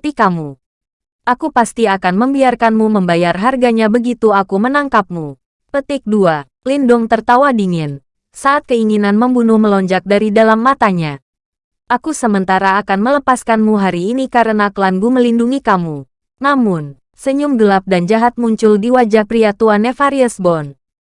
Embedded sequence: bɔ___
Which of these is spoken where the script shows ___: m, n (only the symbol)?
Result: n